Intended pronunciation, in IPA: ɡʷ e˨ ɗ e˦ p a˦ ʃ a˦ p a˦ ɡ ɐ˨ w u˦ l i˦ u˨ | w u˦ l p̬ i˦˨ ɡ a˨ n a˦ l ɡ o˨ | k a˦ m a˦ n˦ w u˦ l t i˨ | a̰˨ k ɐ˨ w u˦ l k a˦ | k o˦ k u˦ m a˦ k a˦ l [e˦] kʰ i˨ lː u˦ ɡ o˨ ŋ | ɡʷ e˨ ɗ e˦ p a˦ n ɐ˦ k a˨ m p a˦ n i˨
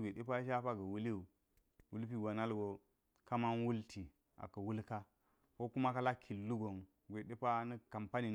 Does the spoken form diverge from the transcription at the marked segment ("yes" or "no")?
yes